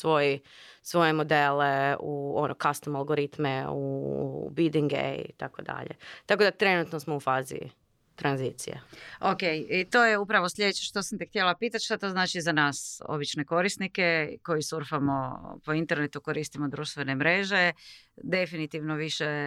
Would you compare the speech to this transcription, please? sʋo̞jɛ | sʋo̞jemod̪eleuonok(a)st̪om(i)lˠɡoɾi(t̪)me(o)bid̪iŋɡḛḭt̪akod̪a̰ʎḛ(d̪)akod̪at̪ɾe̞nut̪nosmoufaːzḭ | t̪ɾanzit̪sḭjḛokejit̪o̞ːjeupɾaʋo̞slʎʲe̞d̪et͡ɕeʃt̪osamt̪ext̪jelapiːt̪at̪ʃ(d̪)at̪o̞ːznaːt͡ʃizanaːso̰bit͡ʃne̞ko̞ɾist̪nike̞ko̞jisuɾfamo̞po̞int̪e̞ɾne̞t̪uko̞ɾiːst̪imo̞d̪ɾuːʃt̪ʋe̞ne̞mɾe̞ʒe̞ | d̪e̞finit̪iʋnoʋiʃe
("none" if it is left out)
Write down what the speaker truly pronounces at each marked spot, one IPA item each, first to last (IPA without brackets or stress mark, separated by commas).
a, a, t̪, u, t̪, t̪